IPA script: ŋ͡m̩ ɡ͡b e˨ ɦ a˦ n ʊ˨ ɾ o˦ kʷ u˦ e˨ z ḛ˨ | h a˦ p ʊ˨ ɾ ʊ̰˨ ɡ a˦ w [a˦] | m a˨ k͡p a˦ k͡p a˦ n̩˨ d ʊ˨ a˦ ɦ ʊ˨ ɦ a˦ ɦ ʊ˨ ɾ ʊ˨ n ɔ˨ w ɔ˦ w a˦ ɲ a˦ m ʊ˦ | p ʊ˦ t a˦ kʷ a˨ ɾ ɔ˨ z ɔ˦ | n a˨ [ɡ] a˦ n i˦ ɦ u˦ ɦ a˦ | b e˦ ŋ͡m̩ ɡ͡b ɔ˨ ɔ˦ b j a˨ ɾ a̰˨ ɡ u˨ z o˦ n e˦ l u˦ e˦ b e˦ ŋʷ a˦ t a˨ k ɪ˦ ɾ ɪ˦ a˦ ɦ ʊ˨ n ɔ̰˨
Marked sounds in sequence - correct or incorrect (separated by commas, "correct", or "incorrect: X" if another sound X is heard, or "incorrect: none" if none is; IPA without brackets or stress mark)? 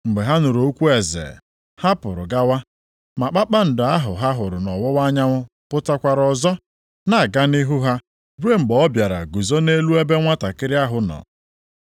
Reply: correct, correct